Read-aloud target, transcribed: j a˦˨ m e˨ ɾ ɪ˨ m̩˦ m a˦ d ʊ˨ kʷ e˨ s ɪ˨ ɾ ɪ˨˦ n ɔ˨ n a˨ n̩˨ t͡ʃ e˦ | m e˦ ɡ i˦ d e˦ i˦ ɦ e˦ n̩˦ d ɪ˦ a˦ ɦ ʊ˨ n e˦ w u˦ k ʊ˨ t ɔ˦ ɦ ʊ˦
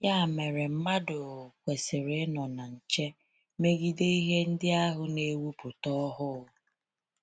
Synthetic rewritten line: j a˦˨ m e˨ ɾ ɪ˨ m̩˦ m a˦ d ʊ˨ kʷ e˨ s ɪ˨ ɾ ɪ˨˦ n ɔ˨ n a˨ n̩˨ t͡ʃ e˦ | m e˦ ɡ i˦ d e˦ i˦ ɦ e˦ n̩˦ d ɪ˦ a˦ ɦ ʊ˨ n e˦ w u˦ p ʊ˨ t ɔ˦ ɦ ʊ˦